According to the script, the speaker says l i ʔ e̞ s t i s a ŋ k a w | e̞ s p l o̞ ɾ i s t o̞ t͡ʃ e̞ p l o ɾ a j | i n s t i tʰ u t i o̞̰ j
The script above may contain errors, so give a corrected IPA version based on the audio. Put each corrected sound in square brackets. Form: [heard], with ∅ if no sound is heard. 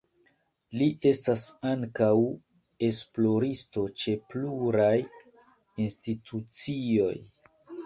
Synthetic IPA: l i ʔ e̞ s t [a] s a ŋ k a w | e̞ s p l o̞ ɾ i s t o̞ t͡ʃ e̞ p l [u] ɾ a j | i n s t i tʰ u [t͡s] i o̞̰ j